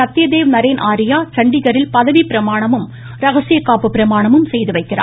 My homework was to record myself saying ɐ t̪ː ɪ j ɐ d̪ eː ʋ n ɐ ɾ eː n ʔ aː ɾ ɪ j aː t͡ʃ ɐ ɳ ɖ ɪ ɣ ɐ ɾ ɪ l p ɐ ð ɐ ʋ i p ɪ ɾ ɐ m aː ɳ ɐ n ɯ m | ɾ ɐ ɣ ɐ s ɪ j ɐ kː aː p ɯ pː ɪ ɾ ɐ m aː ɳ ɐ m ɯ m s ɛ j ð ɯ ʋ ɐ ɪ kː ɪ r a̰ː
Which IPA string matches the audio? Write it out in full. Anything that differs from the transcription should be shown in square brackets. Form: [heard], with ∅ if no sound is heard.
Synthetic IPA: ɐ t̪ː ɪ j ɐ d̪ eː ʋ n ɐ ɾ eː n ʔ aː ɾ ɪ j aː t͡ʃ ɐ ɳ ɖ ɪ ɣ ɐ ɾ ɪ l p ɐ ð ɐ ʋ i p ɪ ɾ ɐ m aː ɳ ɐ [m] ɯ m | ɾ ɐ ɣ ɐ s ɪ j ɐ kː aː p ɯ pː ɪ ɾ ɐ m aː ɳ ɐ m ɯ m s ɛ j ð ɯ ʋ ɐ ɪ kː ɪ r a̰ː